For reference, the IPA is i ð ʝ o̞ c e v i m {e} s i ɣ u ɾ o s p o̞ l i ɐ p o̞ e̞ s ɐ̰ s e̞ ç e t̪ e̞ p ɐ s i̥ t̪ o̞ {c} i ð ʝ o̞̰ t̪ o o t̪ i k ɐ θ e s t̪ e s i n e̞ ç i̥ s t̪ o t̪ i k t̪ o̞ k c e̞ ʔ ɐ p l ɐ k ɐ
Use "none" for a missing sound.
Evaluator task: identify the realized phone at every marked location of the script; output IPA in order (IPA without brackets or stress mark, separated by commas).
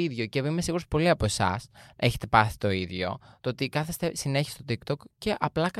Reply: e, none